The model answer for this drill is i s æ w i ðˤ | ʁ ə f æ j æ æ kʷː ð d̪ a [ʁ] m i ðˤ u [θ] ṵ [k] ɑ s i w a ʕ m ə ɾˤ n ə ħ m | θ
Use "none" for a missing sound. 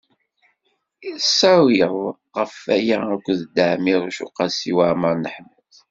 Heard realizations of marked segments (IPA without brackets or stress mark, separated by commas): ʕ, ʃ, q